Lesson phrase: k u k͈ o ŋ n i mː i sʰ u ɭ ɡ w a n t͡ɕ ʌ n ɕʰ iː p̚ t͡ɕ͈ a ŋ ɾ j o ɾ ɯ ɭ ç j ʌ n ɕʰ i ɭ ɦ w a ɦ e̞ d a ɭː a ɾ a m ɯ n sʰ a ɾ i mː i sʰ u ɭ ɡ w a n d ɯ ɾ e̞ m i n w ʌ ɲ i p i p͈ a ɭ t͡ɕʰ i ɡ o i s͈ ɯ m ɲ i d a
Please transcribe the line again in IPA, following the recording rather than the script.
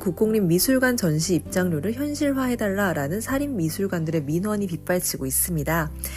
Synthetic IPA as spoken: k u k͈ o ŋ ɲ i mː i sʰ u ɭ ɡ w a n t͡ɕ ʌ n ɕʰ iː p̚ t͡ɕ͈ a ŋ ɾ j o ɾ ɯ ɭ ç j ʌ n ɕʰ i ɭ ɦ w a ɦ e̞ d a ɭː a ɾ a n ɯ n sʰ a ɾ i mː i sʰ u ɭ ɡ w a n d ɯ ɾ e̞ m i n w ʌ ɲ i p i p͈ a ɭ t͡ɕʰ i ɡ o i s͈ ɯ m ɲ i d a